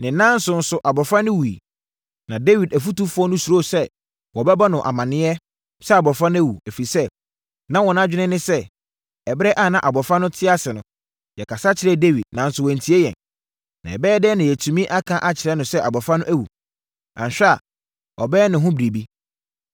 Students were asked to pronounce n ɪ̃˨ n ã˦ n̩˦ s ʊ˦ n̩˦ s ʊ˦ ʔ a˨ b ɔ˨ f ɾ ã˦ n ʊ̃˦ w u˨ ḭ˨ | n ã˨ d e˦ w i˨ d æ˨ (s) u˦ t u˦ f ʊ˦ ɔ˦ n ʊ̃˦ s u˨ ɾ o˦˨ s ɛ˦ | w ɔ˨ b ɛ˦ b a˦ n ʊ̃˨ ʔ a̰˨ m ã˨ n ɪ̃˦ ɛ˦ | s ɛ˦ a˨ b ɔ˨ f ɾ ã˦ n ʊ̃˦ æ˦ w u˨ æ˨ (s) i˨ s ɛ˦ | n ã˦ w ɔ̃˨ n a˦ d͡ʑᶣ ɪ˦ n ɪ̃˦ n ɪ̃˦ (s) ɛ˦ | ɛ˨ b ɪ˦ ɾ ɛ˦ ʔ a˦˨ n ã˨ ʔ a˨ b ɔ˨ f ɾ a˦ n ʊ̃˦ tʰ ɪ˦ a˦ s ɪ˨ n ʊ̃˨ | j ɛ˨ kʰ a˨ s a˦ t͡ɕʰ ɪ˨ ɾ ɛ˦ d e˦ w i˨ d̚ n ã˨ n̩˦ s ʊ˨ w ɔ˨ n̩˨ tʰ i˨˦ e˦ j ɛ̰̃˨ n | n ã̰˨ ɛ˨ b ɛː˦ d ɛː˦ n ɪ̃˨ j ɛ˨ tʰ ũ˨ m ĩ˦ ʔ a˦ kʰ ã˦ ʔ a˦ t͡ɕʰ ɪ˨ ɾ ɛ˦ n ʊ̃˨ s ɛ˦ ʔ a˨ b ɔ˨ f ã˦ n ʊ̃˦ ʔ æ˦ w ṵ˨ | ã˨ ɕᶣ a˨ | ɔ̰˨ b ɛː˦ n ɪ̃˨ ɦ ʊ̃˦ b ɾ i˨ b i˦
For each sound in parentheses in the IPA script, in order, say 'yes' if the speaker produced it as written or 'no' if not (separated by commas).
no, no, yes